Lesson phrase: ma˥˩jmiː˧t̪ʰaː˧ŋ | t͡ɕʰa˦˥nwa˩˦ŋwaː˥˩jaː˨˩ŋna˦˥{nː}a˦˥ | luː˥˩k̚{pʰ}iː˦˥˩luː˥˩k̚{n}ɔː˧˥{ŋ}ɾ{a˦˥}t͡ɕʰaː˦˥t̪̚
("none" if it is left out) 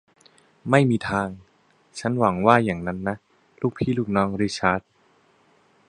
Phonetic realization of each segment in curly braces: nː, pʰ, n, ŋ, i˦˥

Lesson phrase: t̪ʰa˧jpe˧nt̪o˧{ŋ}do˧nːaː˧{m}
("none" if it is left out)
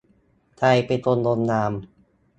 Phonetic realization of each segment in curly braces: n, m

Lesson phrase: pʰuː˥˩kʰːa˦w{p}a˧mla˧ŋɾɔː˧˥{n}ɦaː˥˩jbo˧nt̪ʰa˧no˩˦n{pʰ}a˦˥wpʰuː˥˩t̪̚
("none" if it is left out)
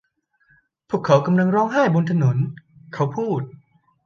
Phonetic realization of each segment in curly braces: k, ŋ, kʰ

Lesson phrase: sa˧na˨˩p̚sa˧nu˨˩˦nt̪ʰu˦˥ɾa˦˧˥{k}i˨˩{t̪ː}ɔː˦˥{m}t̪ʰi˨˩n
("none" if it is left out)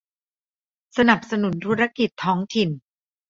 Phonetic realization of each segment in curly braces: k, t̪ʰː, ŋ

